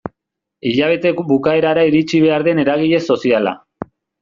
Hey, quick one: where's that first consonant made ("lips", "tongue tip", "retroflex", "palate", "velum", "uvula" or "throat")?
palate